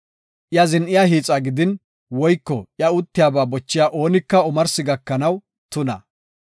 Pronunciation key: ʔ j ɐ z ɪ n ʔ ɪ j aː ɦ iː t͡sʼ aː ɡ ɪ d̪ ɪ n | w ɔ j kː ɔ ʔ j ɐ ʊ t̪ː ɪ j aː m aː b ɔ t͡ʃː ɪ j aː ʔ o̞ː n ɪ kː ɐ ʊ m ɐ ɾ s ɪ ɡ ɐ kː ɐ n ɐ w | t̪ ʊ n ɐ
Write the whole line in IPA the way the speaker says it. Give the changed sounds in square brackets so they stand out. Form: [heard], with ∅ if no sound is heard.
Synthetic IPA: ʔ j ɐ z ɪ n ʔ ɪ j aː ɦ iː t͡sʼ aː ɡ ɪ d̪ ɪ n | w ɔ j kː ɔ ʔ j ɐ ʊ t̪ː ɪ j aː [b] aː b ɔ t͡ʃː ɪ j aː ʔ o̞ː n ɪ kː ɐ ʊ m ɐ ɾ s ɪ ɡ ɐ kː ɐ n ɐ w | t̪ ʊ n ɐ